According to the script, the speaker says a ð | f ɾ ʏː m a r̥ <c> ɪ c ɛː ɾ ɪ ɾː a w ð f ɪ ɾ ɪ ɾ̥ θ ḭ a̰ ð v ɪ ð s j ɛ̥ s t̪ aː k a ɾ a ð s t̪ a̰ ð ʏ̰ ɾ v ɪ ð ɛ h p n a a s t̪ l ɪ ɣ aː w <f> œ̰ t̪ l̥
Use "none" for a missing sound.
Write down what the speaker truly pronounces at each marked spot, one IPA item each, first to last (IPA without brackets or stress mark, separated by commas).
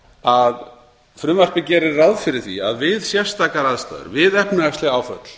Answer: p, f